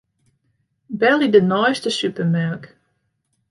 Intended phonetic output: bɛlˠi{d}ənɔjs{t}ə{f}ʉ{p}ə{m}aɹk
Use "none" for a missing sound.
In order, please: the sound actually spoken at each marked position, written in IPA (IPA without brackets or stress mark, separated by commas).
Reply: d, t, s, p, m